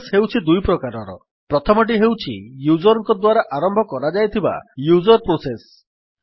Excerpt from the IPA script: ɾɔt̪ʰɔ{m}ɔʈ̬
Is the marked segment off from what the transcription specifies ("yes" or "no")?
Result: no